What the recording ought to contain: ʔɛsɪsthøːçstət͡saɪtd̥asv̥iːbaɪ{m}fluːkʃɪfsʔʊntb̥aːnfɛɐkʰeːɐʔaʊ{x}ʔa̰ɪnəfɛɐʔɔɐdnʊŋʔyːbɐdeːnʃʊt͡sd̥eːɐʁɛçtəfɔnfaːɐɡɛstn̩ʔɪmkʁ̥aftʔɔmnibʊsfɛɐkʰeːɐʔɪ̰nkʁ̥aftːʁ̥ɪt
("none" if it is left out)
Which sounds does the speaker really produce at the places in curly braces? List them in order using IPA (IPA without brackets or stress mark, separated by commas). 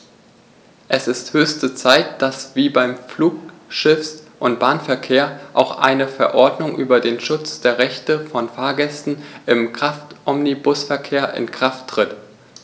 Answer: m, x